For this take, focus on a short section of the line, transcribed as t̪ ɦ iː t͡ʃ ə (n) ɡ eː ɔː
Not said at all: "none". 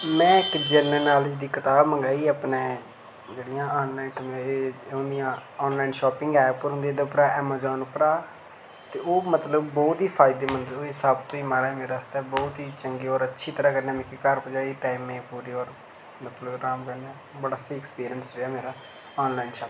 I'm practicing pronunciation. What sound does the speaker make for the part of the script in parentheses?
ŋ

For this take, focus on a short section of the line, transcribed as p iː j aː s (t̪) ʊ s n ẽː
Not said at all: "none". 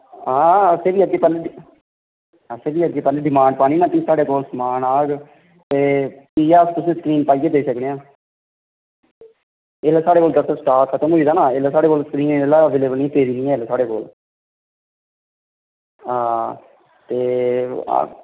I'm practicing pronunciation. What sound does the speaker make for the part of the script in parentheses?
t̪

